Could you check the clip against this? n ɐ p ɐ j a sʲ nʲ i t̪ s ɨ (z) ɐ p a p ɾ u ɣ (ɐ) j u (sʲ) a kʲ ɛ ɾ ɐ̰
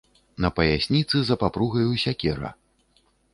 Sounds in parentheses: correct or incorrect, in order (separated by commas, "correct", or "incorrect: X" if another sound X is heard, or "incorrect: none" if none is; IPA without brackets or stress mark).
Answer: correct, correct, correct